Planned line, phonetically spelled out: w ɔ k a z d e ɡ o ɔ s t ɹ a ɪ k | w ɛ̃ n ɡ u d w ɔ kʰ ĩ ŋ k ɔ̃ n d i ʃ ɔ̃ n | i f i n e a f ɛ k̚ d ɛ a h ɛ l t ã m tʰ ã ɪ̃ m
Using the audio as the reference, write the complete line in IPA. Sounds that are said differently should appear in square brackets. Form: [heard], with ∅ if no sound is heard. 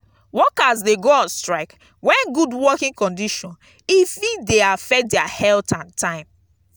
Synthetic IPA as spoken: w ɔ k a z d e ɡ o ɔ s t ɹ a ɪ k | w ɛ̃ n ɡ u d w ɔ [k] ĩ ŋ k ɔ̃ n d i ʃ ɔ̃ n | i f i [d] e a f ɛ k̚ d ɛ a h ɛ l t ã [n] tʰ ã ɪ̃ m